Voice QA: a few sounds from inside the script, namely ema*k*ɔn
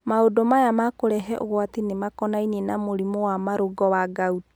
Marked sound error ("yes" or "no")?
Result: no